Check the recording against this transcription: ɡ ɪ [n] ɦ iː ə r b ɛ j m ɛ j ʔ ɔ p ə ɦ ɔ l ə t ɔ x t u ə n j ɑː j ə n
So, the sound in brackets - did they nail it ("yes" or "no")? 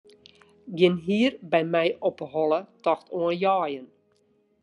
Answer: yes